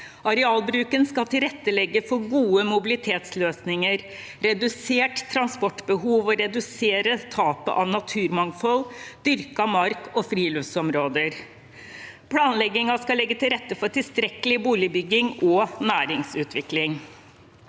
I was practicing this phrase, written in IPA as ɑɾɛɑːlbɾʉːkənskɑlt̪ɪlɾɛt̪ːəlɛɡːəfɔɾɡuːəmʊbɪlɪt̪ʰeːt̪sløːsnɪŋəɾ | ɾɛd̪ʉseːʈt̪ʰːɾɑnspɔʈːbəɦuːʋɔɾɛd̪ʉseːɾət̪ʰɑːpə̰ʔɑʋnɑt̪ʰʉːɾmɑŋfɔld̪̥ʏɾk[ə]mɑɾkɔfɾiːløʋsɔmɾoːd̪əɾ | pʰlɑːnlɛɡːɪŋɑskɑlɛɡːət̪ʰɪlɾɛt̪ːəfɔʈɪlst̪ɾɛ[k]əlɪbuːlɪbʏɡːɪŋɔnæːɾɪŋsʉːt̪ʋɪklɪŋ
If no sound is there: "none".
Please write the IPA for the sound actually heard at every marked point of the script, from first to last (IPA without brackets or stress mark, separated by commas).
ɑ, k